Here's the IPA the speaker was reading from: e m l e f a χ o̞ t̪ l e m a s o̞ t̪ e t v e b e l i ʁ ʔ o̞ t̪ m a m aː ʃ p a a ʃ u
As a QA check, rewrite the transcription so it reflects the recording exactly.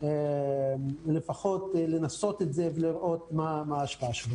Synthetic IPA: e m l e f a χ o̞ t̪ l e n a s o̞ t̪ e t z e v e l i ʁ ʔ o̞ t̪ m a m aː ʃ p a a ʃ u